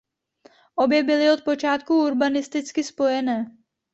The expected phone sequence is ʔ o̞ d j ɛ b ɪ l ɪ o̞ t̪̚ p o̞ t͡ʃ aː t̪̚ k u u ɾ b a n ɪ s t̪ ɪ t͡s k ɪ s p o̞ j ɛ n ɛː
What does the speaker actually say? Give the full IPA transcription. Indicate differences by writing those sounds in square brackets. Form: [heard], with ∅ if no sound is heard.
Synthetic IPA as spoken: ʔ o̞ [b] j ɛ b ɪ l ɪ o̞ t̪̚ p o̞ t͡ʃ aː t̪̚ k u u ɾ b a n ɪ s t̪ ɪ t͡s k ɪ s p o̞ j ɛ n ɛː